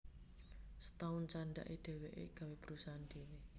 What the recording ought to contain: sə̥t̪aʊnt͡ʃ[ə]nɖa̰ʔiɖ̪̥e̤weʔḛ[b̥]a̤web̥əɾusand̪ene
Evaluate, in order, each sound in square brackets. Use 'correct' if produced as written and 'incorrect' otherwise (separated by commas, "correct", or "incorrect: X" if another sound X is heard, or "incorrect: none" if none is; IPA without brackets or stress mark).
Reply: incorrect: a, incorrect: ɡ̥